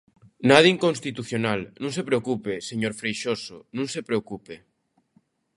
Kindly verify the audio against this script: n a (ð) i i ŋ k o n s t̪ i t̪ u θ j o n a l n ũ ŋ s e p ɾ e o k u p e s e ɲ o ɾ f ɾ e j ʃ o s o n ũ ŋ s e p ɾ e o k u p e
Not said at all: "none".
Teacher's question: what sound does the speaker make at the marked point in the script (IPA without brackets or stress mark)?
ð